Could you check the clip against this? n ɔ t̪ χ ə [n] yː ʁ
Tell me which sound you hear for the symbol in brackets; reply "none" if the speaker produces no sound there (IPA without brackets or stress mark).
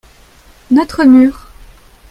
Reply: m